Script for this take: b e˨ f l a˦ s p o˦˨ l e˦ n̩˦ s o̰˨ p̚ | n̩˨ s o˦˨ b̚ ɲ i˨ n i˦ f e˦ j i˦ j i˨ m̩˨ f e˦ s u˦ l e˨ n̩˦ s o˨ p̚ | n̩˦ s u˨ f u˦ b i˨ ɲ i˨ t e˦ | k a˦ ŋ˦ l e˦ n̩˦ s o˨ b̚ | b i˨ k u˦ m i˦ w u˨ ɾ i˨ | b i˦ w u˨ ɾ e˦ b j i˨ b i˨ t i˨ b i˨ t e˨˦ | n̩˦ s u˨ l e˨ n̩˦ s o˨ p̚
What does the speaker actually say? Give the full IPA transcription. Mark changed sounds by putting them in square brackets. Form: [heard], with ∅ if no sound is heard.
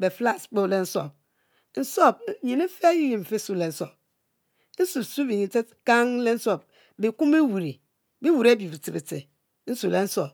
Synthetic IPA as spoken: b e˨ f l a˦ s [k͡p] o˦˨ l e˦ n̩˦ s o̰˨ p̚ | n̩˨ s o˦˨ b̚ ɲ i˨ n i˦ f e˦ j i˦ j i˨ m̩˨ f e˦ s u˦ l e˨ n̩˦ s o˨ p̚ | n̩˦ s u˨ [s] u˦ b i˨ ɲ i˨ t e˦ | k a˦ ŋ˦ l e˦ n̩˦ s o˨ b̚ | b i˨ k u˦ m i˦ w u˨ ɾ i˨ | b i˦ w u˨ ɾ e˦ b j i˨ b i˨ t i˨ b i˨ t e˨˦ | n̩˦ s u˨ l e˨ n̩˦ s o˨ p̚